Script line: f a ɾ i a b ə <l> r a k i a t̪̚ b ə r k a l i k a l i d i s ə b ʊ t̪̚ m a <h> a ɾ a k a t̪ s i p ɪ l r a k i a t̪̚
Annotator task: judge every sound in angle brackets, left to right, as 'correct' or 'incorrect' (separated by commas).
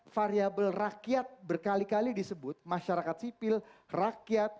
correct, incorrect